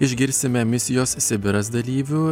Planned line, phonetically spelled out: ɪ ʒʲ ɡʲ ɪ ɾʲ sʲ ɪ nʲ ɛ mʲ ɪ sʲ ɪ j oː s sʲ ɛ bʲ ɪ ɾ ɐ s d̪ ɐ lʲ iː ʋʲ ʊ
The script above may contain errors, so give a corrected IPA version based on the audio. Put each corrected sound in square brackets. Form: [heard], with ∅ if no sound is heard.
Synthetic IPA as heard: ɪ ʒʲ ɡʲ ɪ ɾʲ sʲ ɪ [mʲ] ɛ mʲ ɪ sʲ ɪ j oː s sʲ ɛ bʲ ɪ ɾ ɐ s d̪ ɐ lʲ iː ʋʲ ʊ